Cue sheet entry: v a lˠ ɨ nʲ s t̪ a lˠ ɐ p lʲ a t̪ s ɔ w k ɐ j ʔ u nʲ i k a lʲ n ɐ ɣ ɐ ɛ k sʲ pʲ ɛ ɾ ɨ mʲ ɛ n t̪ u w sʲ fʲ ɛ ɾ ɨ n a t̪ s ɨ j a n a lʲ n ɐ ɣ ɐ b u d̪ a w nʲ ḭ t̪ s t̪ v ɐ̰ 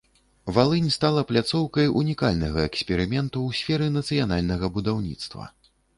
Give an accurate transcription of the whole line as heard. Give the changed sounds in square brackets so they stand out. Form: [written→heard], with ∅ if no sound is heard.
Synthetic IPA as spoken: v a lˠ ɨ nʲ s t̪ a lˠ ɐ p lʲ a t̪ s ɔ w k ɐ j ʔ u nʲ i k a lʲ n ɐ ɣ ɐ ɛ k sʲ pʲ ɛ ɾ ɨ mʲ ɛ n t̪ u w sʲ fʲ ɛ ɾ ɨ n [a→ɐ] t̪ s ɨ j a n a lʲ n ɐ ɣ ɐ b u d̪ a w nʲ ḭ t̪ s t̪ v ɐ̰